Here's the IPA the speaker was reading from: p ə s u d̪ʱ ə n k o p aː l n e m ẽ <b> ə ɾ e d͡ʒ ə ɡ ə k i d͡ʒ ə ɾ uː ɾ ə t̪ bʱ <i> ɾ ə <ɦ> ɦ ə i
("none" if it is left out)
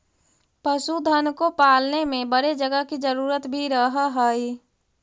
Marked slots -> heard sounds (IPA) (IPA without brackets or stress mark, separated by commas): b, i, ɦ